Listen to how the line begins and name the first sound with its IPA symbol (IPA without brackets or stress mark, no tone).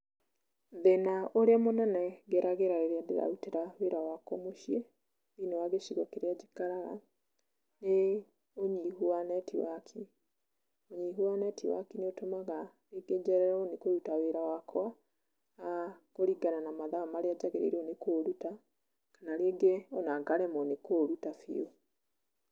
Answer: ð